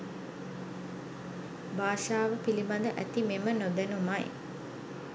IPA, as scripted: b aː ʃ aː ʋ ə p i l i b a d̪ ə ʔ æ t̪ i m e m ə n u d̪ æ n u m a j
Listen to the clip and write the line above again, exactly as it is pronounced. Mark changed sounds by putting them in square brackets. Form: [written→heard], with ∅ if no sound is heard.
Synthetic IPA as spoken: b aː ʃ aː ʋ ə p i l i b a d̪ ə ʔ æ t̪ i m e m ə n [u→o] d̪ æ n u m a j